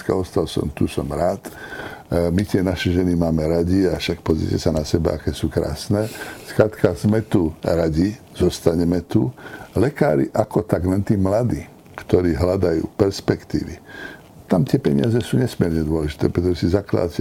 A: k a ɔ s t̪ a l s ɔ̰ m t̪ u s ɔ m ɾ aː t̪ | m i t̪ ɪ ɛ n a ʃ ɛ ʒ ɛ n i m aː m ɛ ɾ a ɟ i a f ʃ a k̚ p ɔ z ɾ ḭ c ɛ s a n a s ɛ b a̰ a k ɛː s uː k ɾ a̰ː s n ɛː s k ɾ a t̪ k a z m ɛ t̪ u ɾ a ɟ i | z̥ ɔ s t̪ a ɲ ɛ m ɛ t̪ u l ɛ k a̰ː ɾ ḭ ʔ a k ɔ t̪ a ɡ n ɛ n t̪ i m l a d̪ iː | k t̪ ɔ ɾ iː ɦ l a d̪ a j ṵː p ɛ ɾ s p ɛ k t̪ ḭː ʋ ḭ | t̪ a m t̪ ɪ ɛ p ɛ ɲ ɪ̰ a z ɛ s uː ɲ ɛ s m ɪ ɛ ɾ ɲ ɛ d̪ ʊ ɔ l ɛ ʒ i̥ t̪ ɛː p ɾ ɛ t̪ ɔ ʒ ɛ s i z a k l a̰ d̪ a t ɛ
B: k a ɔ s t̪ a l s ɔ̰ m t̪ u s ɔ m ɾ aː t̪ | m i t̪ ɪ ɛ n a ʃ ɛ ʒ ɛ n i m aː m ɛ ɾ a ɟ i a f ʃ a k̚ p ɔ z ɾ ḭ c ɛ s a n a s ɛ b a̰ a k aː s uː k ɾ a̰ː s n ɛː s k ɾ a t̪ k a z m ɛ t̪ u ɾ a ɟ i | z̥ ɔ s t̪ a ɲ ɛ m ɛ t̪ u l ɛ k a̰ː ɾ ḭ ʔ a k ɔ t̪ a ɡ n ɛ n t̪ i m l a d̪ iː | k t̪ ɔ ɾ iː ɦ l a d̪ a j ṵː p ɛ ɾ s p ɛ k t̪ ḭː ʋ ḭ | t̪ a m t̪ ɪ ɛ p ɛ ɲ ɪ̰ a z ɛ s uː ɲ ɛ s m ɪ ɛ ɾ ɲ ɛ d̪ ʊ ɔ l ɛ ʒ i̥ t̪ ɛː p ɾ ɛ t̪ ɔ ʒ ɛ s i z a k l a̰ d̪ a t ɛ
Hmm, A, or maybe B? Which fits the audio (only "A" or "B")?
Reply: A